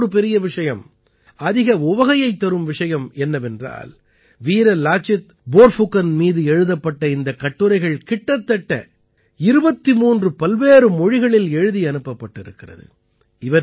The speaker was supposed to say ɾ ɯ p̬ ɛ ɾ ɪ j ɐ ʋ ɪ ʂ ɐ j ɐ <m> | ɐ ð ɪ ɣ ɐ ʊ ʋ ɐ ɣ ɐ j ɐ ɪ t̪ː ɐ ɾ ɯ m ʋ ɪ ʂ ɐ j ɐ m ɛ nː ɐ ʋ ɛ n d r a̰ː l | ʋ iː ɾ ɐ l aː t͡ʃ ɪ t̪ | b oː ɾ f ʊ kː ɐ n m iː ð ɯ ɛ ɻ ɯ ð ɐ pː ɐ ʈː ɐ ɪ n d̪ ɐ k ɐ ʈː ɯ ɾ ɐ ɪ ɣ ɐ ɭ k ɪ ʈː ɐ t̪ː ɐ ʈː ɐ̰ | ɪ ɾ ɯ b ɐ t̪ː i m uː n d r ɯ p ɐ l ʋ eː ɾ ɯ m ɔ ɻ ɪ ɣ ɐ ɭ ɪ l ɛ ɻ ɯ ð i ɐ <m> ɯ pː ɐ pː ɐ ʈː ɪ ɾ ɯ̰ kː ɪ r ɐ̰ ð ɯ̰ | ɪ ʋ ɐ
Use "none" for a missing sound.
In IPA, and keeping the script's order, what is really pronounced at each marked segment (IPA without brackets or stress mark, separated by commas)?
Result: m, n